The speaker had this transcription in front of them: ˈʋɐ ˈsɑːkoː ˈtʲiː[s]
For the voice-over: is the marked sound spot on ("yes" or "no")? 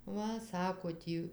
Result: no